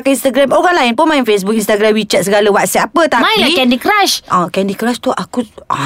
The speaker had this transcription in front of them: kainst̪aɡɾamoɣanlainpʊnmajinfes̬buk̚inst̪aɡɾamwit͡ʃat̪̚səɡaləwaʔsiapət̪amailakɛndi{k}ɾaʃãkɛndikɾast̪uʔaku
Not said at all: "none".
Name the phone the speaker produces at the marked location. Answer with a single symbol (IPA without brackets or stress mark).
k